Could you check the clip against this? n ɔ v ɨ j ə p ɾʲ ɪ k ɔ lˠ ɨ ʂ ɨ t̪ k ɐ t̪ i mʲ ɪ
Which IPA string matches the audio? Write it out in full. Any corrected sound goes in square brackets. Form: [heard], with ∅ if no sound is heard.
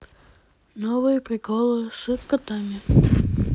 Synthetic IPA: n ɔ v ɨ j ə p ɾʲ ɪ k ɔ lˠ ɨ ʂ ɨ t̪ k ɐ t̪ [a] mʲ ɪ